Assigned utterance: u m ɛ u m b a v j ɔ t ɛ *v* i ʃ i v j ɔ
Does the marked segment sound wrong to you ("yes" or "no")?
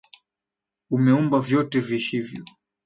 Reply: no